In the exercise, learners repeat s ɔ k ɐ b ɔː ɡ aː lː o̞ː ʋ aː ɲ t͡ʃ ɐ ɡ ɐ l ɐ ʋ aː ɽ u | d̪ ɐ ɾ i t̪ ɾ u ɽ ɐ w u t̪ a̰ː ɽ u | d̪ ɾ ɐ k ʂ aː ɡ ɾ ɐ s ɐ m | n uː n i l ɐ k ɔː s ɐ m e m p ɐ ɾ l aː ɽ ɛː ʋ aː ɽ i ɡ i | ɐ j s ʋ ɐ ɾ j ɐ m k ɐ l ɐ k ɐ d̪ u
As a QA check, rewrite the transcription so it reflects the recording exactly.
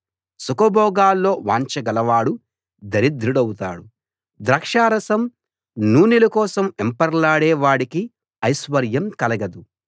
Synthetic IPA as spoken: s u k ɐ b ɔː ɡ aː lː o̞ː ʋ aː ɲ t͡ʃ ɐ ɡ ɐ l ɐ ʋ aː ɽ u | d̪ ɐ ɾ i d̪ ɾ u ɽ ɐ w u t̪ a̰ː ɽ u | d̪ ɾ ɐ k ʂ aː ɾ ɐ s ɐ m | n uː n i l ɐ k ɔː s ɐ m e m p ɐ ɾ l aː ɽ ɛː ʋ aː ɽ i k i | ɐ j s ʋ ɐ ɾ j ɐ m k ɐ l ɐ ɡ ɐ d̪ u